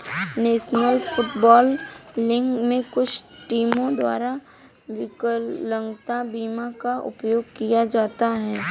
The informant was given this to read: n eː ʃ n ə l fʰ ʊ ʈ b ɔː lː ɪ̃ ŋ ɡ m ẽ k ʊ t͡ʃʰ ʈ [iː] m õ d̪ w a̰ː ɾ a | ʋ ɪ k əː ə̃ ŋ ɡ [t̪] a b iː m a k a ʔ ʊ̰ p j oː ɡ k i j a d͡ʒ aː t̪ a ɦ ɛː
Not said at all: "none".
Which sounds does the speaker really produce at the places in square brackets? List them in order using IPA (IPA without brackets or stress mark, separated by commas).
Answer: iː, t̪